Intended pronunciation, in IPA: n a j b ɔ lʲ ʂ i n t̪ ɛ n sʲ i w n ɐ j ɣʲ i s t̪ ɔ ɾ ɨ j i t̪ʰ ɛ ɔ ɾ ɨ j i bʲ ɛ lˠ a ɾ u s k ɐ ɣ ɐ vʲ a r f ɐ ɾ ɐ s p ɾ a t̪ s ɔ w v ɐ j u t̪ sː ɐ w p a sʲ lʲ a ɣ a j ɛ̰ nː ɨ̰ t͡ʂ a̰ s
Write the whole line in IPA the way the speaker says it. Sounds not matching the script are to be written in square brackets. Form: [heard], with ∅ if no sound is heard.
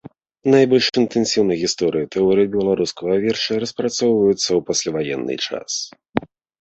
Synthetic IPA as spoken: n a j b ɔ lʲ ʂ i n t̪ ɛ n sʲ i w n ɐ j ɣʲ i s t̪ ɔ ɾ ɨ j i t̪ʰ ɛ ɔ ɾ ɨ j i bʲ ɛ lˠ a ɾ u s k ɐ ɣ ɐ vʲ [ɛ] r [ʂ] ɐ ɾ ɐ s p ɾ a t̪ s ɔ w v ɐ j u t̪ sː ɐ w p a sʲ lʲ a [v] a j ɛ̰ nː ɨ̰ t͡ʂ a̰ s

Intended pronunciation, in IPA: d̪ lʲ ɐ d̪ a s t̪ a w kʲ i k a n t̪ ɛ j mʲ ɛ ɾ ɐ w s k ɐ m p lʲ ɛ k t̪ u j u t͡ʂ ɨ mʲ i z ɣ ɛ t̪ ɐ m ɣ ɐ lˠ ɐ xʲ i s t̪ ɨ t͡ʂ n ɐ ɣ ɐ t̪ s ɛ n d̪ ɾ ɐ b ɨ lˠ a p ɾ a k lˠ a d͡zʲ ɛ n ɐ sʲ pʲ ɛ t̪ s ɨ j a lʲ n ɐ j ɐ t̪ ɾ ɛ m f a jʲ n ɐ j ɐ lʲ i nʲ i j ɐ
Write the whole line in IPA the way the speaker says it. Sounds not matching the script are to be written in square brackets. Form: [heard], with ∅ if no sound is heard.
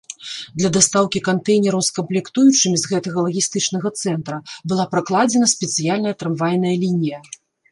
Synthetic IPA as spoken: d̪ lʲ ɐ d̪ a s t̪ a w kʲ i k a n t̪ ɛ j [nʲ] ɛ ɾ ɐ w s k ɐ m p lʲ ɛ k t̪ u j u t͡ʂ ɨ mʲ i z ɣ ɛ t̪ ɐ [∅] ɣ ɐ lˠ ɐ [ɣʲ] i s t̪ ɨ t͡ʂ n ɐ ɣ ɐ t̪ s ɛ n [t̪] ɾ ɐ b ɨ lˠ a p ɾ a k lˠ a d͡zʲ ɛ n ɐ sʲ pʲ ɛ t̪ s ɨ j a lʲ n ɐ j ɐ t̪ ɾ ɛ m [v] a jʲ n ɐ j ɐ lʲ i nʲ i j ɐ

